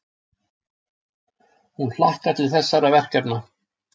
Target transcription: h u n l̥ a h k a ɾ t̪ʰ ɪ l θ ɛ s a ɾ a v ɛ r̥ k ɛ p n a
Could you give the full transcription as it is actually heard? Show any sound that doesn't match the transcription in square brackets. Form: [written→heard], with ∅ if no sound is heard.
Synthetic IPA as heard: h u n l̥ a h k a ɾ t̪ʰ ɪ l θ ɛ [s→sː] a ɾ a v ɛ r̥ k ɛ p n a